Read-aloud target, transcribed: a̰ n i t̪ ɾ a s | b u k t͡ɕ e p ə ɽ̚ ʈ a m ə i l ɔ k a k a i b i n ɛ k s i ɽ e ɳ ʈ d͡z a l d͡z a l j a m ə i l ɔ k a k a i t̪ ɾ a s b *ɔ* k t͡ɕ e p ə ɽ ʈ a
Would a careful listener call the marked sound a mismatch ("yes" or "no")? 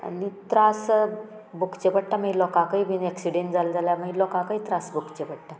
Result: yes